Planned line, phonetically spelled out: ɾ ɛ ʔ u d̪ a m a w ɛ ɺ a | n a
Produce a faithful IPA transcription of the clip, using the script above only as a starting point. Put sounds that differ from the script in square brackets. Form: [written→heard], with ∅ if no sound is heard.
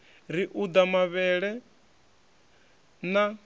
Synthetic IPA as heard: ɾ [ɛ→i] ʔ u d̪ a m a [w→β] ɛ ɺ [a→ɛ] | n a

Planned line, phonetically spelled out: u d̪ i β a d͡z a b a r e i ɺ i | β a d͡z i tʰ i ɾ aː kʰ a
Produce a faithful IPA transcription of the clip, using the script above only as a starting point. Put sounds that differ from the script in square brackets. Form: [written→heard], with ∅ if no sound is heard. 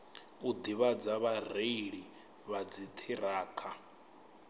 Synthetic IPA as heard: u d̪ i β a d͡z a [b→β] a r e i ɺ i | β a d͡z i tʰ i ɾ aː kʰ a

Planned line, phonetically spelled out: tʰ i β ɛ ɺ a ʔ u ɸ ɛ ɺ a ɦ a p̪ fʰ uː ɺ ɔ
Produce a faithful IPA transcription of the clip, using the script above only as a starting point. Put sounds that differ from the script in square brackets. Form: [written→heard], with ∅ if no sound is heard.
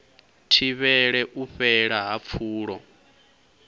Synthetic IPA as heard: tʰ i β ɛ ɺ [a→ɛ] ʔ u ɸ ɛ ɺ a ɦ a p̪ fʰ uː ɺ ɔ

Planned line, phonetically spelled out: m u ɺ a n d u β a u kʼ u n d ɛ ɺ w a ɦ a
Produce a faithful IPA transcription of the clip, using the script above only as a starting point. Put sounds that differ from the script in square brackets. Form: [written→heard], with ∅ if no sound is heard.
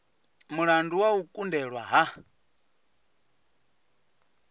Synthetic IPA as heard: m u ɺ a n d u [β→w] a u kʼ u n d ɛ ɺ w a ɦ a

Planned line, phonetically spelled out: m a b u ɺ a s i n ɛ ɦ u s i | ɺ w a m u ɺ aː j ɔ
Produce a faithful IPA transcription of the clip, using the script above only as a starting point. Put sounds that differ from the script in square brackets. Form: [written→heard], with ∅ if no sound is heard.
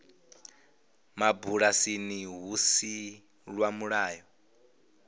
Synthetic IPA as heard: m a b u ɺ a s i n [ɛ→i] ɦ u s i | ɺ w a m u ɺ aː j ɔ

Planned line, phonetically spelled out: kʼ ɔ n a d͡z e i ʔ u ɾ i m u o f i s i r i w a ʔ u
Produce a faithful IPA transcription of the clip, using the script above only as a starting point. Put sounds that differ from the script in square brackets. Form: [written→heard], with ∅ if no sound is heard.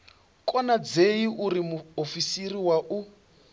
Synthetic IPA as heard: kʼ ɔ n a d͡z e i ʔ u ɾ i m u o f i s i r i w a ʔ u

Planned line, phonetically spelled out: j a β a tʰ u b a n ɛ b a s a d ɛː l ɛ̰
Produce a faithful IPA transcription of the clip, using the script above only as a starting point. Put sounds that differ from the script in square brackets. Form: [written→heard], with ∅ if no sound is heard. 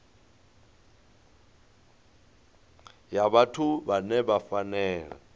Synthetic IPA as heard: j a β a tʰ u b a n ɛ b a [s→f] a [d→n] ɛː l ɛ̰

